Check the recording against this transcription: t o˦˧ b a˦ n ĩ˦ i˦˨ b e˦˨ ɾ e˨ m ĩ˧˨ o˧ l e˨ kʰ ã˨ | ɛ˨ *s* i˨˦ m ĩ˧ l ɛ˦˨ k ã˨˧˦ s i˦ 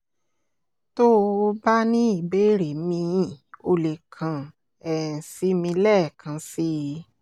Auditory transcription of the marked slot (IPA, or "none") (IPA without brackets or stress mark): s